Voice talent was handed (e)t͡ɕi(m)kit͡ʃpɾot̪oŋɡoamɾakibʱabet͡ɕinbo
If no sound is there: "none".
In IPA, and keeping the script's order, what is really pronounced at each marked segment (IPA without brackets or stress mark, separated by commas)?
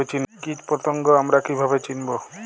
e, n